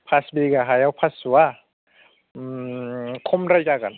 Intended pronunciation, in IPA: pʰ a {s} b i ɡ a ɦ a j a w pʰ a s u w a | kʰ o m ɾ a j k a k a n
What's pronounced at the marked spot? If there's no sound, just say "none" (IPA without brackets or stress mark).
s